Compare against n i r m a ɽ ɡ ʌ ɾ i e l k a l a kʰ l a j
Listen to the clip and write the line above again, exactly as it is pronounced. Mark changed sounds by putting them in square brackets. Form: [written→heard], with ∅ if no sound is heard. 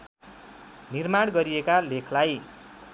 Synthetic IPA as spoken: n i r m a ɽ ɡ ʌ ɾ i e [l→∅] k a l [a→e] kʰ l a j